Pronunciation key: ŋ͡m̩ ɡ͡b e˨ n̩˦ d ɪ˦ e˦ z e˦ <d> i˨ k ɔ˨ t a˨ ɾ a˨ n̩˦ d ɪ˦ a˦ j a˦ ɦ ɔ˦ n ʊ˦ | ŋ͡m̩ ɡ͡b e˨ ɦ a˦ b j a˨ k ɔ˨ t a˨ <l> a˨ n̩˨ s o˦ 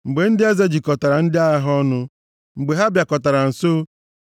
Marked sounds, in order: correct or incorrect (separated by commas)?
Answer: incorrect, incorrect